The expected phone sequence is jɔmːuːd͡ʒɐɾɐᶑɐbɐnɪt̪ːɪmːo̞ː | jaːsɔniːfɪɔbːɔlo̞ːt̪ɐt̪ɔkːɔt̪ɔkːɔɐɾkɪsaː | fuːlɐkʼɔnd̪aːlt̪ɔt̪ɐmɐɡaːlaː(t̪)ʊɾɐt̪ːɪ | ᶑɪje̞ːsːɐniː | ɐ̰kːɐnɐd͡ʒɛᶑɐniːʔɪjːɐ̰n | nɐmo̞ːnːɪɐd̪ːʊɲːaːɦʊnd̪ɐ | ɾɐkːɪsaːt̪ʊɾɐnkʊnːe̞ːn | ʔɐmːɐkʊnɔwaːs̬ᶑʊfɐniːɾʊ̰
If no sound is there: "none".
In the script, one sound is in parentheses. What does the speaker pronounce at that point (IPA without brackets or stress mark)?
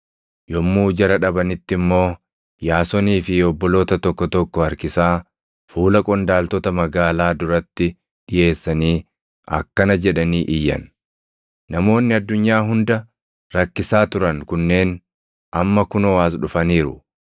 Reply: d̪